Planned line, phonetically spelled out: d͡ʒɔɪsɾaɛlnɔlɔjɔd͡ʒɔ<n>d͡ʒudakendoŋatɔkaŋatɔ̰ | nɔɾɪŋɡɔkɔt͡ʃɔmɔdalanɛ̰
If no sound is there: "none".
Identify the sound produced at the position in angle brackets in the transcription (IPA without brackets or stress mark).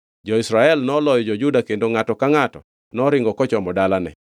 none